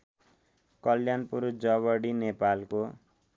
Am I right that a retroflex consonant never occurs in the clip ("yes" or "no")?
no